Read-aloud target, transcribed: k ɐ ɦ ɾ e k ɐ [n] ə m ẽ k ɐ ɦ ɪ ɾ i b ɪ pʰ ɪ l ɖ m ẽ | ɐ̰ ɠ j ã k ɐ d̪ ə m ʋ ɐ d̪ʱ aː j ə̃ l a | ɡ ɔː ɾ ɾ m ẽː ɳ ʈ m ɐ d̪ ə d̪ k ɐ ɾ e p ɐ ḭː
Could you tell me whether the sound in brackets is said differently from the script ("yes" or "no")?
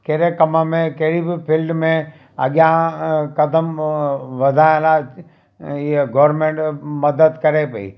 yes